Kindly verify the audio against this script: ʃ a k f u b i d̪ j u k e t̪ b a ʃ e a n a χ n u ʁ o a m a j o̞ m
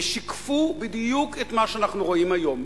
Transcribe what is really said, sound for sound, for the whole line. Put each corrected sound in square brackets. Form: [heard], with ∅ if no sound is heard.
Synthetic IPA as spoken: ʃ [i] k f u b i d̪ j u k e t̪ [m] a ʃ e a n a χ n u ʁ o [i] m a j o̞ m